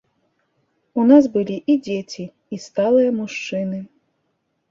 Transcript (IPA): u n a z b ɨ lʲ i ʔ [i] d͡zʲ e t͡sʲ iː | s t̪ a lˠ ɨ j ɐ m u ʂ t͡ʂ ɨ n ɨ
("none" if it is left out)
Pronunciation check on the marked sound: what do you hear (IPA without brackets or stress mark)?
i